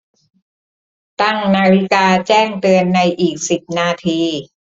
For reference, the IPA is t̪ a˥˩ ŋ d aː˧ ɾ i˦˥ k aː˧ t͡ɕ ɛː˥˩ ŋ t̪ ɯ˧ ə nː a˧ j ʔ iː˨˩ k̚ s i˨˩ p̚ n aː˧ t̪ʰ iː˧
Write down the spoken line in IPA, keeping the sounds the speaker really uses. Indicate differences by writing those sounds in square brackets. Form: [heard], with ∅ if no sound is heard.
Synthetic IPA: t̪ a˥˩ ŋ [n] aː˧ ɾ i˦˥ k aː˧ t͡ɕ ɛː˥˩ ŋ t̪ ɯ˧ ə nː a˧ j ʔ iː˨˩ k̚ s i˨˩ p̚ n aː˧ t̪ʰ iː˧